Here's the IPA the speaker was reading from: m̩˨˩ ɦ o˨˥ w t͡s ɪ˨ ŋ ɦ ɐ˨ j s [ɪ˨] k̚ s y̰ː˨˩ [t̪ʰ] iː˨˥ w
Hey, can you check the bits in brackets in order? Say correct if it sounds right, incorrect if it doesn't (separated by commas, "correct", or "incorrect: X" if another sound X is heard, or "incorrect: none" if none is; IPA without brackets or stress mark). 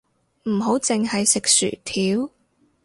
correct, correct